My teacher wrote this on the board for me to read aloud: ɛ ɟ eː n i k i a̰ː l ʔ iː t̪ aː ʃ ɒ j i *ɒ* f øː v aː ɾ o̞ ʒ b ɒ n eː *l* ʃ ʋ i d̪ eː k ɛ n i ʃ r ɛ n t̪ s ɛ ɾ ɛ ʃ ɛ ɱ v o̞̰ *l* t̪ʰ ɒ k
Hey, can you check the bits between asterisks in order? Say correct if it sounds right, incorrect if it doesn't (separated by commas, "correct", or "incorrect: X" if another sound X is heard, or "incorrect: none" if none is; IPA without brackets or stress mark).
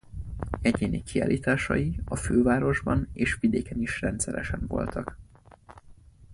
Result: correct, incorrect: none, correct